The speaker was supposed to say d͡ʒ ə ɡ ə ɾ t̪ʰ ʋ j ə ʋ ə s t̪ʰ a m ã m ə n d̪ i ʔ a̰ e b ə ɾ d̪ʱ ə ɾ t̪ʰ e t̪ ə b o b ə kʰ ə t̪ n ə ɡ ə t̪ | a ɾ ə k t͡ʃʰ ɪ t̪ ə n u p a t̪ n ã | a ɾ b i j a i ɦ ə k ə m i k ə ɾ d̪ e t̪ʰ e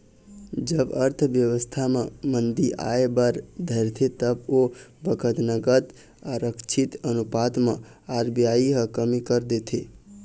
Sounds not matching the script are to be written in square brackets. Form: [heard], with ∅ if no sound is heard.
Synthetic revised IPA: d͡ʒ ə [b] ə ɾ t̪ʰ ʋ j ə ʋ ə s t̪ʰ a m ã m ə n d̪ i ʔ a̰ e b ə ɾ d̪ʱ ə ɾ t̪ʰ e t̪ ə b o b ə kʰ ə t̪ n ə ɡ ə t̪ | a ɾ ə k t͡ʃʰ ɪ t̪ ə n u p a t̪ [m] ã | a ɾ b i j a i ɦ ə k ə m i k ə ɾ d̪ e t̪ʰ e